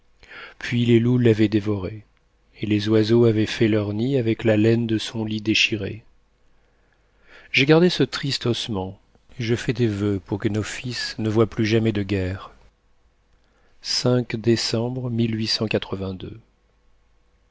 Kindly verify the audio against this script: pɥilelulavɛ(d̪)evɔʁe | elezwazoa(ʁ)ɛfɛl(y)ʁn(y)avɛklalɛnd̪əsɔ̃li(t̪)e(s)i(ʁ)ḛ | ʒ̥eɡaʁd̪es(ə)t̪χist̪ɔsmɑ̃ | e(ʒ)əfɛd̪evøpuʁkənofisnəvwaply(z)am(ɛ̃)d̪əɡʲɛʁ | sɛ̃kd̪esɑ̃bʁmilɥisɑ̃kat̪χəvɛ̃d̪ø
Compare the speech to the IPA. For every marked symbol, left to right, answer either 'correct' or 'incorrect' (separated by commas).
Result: correct, incorrect, incorrect, incorrect, incorrect, incorrect, correct, correct, correct, incorrect, incorrect